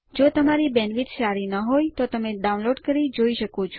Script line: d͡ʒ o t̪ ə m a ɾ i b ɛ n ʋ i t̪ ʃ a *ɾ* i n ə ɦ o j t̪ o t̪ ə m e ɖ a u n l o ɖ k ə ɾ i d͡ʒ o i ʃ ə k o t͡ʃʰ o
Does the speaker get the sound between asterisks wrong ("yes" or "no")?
no